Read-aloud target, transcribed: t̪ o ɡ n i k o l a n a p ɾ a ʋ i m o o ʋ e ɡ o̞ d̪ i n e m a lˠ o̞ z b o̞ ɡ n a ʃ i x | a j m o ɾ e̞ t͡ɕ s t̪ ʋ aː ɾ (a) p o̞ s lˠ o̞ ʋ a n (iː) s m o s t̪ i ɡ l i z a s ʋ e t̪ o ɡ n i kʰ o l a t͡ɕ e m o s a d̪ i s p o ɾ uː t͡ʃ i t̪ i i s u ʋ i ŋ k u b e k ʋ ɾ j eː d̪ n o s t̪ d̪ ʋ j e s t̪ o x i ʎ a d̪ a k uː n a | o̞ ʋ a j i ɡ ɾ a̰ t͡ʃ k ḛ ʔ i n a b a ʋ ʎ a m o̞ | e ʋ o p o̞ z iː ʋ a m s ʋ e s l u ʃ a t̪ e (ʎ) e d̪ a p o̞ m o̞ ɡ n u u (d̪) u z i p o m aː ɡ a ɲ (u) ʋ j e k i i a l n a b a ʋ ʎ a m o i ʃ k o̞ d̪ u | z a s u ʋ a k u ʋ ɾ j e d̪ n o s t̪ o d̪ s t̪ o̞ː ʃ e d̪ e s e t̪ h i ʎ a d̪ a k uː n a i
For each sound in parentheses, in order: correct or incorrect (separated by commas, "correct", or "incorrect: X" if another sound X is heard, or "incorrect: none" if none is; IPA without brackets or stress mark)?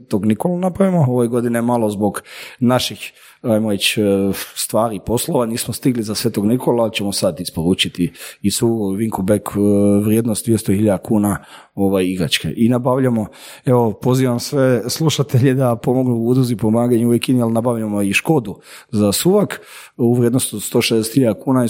incorrect: i, correct, correct, correct, correct